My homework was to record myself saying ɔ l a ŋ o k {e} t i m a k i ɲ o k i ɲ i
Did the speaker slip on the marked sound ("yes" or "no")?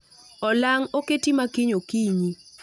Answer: no